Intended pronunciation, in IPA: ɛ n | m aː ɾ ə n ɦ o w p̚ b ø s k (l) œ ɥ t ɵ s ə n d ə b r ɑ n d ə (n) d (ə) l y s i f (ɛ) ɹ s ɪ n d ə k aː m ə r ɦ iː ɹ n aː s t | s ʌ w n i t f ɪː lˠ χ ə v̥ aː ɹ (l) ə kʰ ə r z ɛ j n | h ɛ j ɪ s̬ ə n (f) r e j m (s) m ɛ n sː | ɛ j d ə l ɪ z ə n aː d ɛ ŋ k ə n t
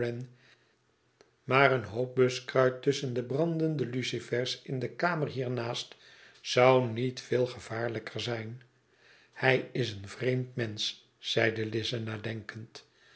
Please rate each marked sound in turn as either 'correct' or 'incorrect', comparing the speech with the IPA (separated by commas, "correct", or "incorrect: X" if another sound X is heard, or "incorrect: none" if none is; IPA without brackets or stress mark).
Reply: incorrect: r, correct, correct, correct, correct, incorrect: v, incorrect: t